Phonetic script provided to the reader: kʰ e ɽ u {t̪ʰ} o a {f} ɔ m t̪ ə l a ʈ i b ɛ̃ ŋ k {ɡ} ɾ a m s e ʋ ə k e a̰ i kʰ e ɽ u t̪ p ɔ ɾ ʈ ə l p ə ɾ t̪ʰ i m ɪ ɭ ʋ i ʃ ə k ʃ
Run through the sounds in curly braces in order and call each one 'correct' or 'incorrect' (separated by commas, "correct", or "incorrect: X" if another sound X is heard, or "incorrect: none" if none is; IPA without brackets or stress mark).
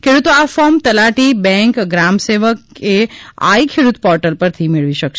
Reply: incorrect: t̪, correct, correct